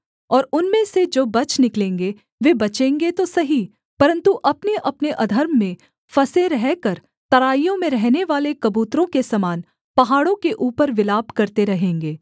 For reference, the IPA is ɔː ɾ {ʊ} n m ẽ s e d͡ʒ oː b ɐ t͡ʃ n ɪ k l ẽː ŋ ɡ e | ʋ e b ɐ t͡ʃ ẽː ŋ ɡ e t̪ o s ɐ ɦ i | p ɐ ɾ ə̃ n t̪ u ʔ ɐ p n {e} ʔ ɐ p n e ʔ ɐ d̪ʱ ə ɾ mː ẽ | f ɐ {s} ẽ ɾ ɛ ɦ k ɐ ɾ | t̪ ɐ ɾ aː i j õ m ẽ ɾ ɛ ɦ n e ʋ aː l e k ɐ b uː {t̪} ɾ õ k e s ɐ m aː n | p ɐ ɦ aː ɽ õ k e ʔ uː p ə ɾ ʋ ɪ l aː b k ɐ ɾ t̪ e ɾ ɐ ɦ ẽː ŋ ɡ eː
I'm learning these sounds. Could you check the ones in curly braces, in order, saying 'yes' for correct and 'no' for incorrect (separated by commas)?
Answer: yes, yes, yes, yes